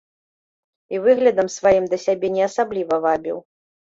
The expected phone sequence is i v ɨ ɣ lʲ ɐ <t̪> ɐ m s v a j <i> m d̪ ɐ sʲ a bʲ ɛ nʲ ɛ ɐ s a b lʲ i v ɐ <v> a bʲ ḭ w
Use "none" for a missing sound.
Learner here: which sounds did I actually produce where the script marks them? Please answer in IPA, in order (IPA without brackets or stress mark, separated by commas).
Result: d̪, i, v